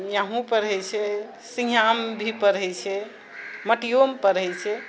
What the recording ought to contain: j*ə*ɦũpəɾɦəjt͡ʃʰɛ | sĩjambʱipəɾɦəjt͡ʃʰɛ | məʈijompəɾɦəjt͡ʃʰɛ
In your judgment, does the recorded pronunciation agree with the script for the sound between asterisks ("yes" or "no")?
no